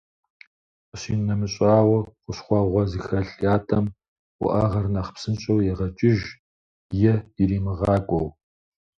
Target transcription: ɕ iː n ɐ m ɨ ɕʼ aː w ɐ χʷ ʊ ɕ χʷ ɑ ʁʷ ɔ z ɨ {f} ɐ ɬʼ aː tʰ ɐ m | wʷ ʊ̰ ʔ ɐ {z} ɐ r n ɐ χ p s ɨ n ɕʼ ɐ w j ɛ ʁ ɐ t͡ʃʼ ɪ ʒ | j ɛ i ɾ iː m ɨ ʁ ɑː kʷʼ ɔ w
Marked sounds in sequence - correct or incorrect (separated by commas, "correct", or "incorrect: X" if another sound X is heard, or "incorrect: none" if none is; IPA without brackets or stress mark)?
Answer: incorrect: x, incorrect: ʁ